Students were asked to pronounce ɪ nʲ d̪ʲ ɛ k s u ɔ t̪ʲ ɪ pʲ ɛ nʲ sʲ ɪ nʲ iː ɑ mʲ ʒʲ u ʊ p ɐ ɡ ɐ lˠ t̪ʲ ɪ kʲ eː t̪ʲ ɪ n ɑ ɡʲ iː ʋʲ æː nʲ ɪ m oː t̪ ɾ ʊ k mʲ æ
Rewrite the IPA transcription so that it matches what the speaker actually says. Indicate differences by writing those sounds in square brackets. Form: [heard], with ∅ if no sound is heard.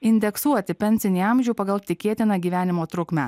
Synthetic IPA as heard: ɪ nʲ d̪ʲ ɛ k s u ɔ t̪ʲ ɪ pʲ ɛ nʲ sʲ ɪ nʲ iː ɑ mʲ ʒʲ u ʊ p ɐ ɡ ɐ lˠ t̪ʲ ɪ kʲ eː t̪ʲ ɪ n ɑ ɡʲ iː ʋʲ æː nʲ ɪ m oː t̪ ɾ ʊ k mʲ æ